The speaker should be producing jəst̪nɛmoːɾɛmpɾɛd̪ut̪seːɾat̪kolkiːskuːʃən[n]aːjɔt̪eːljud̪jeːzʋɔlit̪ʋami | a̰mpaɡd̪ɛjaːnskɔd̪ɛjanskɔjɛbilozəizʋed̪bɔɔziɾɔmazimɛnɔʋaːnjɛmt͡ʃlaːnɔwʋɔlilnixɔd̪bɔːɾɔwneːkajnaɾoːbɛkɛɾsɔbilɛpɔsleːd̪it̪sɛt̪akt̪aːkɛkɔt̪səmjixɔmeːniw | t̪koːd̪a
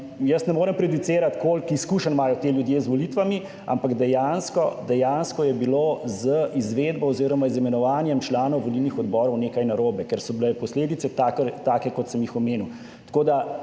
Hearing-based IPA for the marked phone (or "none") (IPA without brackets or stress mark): m